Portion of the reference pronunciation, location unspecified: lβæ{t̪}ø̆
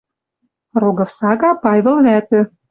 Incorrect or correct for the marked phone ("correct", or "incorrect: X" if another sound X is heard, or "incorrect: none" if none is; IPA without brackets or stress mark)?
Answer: correct